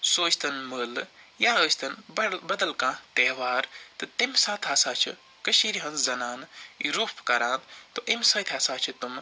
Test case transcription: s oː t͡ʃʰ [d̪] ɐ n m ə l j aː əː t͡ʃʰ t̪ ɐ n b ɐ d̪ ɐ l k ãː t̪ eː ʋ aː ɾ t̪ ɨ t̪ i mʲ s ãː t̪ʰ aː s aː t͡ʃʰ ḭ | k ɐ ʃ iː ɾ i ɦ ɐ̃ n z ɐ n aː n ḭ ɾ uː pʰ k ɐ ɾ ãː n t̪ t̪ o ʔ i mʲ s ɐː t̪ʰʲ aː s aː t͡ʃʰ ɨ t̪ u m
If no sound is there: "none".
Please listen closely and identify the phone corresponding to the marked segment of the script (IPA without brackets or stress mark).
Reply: t̪